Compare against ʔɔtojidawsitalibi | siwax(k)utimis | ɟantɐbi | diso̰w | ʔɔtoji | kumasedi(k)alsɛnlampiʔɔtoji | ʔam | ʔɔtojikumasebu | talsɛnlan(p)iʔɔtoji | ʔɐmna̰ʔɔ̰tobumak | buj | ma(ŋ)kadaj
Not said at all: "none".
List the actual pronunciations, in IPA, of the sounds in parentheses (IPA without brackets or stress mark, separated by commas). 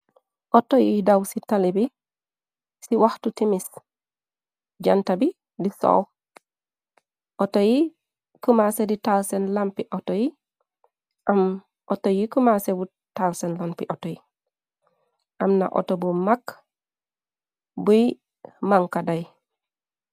t, t, p, ŋ